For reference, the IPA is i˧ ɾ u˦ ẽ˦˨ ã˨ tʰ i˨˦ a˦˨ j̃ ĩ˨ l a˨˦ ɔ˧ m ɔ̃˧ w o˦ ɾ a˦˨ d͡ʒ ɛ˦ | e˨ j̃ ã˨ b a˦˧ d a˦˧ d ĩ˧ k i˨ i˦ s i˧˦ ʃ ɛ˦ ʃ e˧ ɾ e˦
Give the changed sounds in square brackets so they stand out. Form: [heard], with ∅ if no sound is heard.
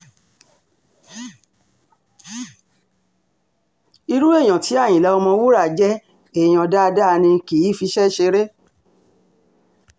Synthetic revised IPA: i˧ ɾ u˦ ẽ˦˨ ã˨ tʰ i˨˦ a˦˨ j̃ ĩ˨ l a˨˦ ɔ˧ m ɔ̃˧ w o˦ ɾ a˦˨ d͡ʒ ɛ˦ | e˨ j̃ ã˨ [d] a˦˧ d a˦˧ [n] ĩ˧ k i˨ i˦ [f] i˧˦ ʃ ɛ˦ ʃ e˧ ɾ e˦